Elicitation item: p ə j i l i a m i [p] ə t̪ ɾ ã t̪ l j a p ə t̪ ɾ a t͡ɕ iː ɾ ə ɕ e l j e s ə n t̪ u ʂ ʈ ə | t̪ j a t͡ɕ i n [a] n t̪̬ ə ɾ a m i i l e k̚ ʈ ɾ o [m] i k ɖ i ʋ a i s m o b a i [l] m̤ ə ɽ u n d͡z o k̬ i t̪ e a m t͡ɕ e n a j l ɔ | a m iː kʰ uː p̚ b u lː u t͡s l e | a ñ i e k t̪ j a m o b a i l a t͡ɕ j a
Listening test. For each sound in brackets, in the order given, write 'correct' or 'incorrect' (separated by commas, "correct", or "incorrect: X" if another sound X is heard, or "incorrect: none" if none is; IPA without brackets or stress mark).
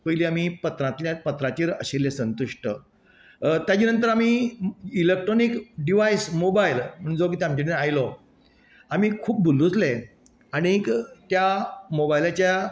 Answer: correct, incorrect: ə, incorrect: n, correct